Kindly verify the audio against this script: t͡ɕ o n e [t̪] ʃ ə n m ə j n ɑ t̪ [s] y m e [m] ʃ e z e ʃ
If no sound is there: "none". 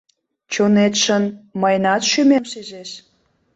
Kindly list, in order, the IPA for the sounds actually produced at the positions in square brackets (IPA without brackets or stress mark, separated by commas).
t̪, ʃ, m